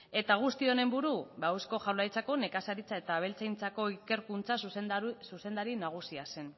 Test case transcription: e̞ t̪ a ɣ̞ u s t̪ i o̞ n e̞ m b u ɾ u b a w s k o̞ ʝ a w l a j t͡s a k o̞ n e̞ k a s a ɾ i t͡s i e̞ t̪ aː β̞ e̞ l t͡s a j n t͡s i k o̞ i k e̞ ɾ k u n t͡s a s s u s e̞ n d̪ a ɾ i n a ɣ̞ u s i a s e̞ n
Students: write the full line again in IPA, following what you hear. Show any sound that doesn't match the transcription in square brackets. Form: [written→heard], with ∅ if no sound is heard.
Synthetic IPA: e̞ t̪ a ɣ̞ u s t̪ i o̞ n e̞ m b u ɾ u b a w s k o̞ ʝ a w l a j t͡s a k o̞ n e̞ k a s a ɾ i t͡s [i→a] e̞ t̪ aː β̞ e̞ l t͡s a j n t͡s [i→a] k o̞ i k e̞ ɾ k u n t͡s a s s u s e̞ n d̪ a ɾ i n a ɣ̞ u s i a s e̞ n

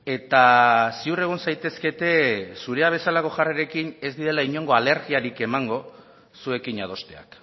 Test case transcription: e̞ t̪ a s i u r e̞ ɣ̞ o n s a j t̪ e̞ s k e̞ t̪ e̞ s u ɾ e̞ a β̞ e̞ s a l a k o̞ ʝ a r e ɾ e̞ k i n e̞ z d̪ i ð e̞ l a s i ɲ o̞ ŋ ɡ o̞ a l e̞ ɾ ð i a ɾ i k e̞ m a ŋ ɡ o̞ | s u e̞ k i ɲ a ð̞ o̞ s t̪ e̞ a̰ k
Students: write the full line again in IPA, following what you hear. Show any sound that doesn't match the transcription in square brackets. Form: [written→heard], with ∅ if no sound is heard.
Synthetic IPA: e̞ t̪ a s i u r e̞ ɣ̞ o n s a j t̪ e̞ s k e̞ t̪ e̞ s u ɾ e̞ a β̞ e̞ s a l a k o̞ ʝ a r e ɾ e̞ k i n e̞ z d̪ i ð e̞ l a [s→∅] i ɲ o̞ ŋ ɡ o̞ a l e̞ ɾ [ð→ɣ] i a ɾ i k e̞ m a ŋ ɡ o̞ | s u e̞ k i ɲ a ð̞ o̞ s t̪ e̞ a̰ k

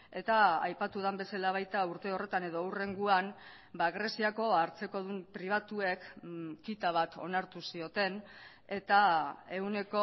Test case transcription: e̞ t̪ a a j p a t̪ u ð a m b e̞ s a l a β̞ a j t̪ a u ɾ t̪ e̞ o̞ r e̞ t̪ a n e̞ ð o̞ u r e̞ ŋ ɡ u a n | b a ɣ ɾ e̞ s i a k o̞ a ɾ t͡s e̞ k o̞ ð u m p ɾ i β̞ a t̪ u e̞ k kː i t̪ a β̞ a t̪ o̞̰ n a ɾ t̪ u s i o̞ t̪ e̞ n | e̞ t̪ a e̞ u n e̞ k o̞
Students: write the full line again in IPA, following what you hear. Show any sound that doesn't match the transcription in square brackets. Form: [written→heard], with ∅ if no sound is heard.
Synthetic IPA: e̞ t̪ a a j p a t̪ u ð a m b e̞ s a l a β̞ a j t̪ a u ɾ t̪ e̞ o̞ r e̞ t̪ a n e̞ ð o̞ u r e̞ ŋ ɡ u a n | b a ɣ ɾ e̞ s i a k o̞ a ɾ t͡s e̞ k o̞ ð u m p ɾ i β̞ a t̪ u e̞ k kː i t̪ a β̞ a t̪ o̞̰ n a ɾ t̪ u s i o̞ t̪ e̞ n | e̞ t̪ a e̞ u n e̞ k o̞

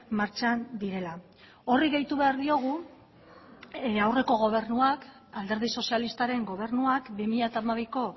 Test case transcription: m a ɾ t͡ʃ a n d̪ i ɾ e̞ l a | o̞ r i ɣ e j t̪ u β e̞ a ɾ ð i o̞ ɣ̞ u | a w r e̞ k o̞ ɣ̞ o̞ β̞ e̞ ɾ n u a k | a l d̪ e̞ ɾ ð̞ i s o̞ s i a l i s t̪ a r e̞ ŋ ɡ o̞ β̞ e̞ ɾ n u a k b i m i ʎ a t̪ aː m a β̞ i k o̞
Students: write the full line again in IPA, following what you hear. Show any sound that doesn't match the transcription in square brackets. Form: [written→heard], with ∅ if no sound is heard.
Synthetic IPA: m a ɾ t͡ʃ a n d̪ i ɾ e̞ l a | o̞ r i ɣ e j t̪ u β e̞ a ɾ ð i o̞ ɣ̞ u | a w r e̞ k o̞ ɣ̞ o̞ β̞ e̞ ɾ n u a k | a l d̪ e̞ ɾ ð̞ i s o̞ s i a l i s t̪ a [r→ɾ] e̞ ŋ ɡ o̞ β̞ e̞ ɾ n u a k b i m i ʎ a t̪ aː m a β̞ i k o̞

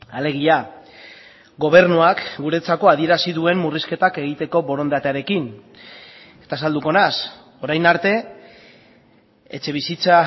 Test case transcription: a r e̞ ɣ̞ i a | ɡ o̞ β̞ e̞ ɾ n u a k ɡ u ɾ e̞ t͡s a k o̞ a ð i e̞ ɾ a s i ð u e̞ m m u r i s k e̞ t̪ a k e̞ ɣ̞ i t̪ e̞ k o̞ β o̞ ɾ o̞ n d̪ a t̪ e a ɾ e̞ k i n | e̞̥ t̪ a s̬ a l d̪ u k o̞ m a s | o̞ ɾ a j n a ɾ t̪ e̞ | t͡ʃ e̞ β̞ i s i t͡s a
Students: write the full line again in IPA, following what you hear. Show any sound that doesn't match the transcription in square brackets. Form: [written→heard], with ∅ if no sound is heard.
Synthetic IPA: a [r→l] e̞ ɣ̞ i a | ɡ o̞ β̞ e̞ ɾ n u a k ɡ u ɾ e̞ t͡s a k o̞ a ð i e̞ ɾ a s i ð u e̞ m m u r i s k e̞ t̪ a k e̞ ɣ̞ i t̪ e̞ k o̞ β o̞ ɾ o̞ n d̪ a t̪ e a ɾ e̞ k i n | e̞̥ t̪ a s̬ a l d̪ u k o̞ [m→n] a s | o̞ ɾ a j n a ɾ t̪ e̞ | t͡ʃ e̞ β̞ i s i t͡s a

